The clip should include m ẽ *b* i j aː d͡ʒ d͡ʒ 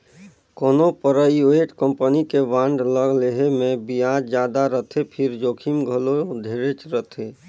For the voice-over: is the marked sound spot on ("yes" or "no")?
yes